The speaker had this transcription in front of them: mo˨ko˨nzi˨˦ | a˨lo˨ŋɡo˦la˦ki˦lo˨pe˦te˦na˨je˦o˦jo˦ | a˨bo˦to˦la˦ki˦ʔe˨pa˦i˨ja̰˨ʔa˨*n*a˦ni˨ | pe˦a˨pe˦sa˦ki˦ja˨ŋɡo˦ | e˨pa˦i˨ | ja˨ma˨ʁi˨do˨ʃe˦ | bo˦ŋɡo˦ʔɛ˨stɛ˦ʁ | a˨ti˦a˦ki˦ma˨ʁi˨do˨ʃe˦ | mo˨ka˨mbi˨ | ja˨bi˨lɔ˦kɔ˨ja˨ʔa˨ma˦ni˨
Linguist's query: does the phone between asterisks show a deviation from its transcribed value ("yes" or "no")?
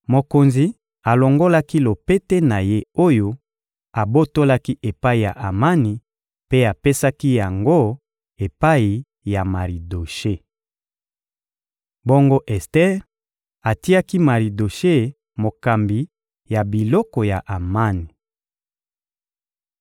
yes